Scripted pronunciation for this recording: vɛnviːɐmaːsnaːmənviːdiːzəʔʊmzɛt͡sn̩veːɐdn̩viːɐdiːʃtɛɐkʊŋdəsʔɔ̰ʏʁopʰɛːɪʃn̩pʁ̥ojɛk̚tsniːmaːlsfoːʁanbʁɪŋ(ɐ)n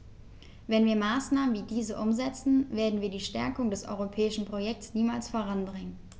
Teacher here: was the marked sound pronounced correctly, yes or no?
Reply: no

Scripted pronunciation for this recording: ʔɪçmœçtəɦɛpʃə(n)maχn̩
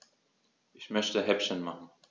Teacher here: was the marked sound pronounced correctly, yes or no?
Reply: yes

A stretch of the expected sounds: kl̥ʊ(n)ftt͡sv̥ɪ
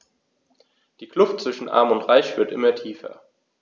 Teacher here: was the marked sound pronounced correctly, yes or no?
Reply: no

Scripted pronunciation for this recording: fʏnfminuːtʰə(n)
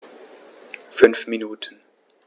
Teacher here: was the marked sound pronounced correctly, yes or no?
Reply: yes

